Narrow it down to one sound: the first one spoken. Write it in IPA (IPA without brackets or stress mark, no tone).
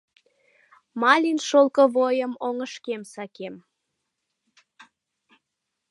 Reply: m